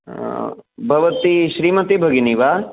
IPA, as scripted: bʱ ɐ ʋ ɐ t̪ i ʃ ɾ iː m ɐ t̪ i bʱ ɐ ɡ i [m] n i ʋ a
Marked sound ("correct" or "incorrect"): incorrect